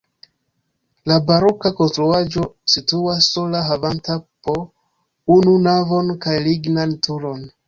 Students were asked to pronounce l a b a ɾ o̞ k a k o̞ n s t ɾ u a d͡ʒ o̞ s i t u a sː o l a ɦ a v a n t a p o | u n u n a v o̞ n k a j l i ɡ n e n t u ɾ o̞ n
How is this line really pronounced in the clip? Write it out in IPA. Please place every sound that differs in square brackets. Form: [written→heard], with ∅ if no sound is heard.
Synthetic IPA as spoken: l a b a ɾ o̞ k a k o̞ n s t ɾ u a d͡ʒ o̞ s i t u a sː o l a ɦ a v a n t a p o | u n u n a v o̞ n k a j l i ɡ n [e→a] n t u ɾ o̞ n